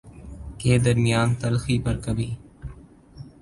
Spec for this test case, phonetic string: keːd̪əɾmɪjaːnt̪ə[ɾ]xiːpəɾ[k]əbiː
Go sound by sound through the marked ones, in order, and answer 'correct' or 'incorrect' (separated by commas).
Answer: incorrect, correct